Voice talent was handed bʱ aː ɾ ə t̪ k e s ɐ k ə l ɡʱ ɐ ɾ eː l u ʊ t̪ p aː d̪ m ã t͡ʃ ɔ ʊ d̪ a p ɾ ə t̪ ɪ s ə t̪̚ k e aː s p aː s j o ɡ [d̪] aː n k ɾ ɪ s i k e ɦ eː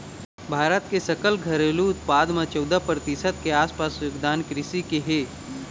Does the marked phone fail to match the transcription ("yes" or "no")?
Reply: no